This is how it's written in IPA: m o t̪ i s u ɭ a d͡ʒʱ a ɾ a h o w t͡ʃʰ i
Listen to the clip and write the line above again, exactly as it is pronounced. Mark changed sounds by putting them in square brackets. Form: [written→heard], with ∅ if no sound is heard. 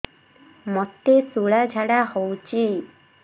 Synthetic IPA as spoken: m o t̪ [i→e] s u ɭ a d͡ʒʱ a [ɾ→ɽ] a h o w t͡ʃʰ i